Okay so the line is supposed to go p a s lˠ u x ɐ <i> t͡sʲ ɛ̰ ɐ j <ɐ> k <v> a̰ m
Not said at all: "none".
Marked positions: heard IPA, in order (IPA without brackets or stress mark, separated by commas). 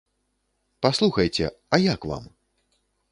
j, a, v